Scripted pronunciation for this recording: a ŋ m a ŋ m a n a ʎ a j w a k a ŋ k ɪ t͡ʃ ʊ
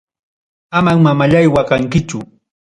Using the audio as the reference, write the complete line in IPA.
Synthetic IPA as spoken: a m a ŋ m a m a ʎ a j w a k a ŋ k ɪ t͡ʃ ʊ